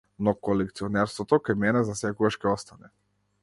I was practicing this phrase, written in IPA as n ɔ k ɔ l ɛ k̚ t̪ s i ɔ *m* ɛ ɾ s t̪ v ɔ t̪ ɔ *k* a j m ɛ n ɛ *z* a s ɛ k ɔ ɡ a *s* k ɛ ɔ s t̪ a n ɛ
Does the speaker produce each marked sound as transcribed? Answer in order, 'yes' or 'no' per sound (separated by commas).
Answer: no, yes, yes, no